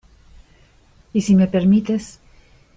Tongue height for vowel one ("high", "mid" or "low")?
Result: high